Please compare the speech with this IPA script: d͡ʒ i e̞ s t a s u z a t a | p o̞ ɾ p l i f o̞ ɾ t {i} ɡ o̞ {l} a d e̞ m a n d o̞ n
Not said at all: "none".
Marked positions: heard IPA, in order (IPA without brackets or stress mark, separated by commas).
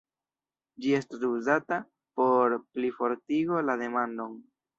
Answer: i, l